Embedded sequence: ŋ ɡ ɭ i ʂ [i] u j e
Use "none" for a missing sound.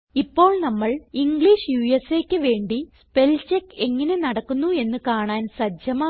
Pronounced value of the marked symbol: j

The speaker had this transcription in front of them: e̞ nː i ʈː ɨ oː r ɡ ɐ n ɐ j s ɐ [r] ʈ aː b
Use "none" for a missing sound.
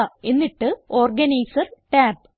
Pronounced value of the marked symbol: r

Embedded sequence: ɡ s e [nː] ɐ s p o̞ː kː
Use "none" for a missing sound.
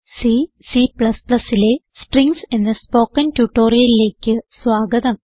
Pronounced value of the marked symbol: nː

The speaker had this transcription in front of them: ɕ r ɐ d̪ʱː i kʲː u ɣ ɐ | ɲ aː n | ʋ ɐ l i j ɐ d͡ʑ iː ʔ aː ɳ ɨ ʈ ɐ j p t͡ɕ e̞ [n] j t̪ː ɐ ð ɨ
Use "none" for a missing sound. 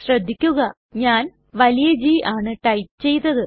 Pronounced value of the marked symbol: none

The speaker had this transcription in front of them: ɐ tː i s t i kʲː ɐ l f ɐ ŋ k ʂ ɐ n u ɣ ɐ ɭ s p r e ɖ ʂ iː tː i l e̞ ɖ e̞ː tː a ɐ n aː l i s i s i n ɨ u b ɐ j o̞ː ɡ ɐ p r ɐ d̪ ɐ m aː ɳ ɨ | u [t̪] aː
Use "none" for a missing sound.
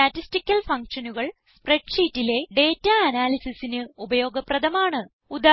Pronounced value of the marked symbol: d̪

